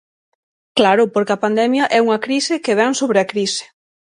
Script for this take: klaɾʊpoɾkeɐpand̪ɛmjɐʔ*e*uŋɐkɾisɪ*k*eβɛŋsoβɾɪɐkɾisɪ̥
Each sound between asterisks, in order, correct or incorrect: incorrect: ɛ, correct

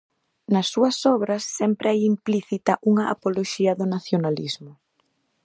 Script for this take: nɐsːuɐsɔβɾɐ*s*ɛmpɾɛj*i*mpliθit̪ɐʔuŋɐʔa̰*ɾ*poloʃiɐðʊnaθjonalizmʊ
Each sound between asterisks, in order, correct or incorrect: incorrect: sː, correct, incorrect: none

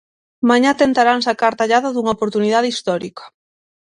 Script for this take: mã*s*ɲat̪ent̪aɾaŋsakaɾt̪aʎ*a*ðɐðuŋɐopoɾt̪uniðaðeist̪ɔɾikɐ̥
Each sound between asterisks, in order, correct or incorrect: incorrect: none, correct

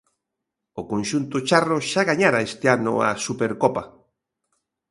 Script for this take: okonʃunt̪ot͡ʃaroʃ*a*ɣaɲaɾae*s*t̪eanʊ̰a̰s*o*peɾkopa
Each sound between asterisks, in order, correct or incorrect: correct, correct, incorrect: u

